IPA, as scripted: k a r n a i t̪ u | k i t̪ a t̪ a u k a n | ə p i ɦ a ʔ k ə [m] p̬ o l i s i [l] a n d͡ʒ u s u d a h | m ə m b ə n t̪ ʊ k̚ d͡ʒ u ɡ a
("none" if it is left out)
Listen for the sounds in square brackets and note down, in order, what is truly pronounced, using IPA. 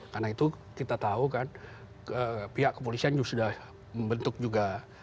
none, none

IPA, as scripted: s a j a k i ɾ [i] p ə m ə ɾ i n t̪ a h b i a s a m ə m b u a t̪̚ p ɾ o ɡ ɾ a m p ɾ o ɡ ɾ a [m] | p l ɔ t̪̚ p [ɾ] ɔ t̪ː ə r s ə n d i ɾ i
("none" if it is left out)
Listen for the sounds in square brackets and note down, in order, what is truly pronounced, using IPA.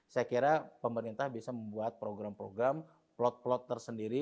a, m, l

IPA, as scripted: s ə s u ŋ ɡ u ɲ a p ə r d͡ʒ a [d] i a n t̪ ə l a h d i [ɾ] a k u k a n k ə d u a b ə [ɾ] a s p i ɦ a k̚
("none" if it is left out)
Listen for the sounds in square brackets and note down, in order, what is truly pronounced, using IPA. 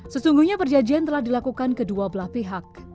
d͡ʒ, l, l

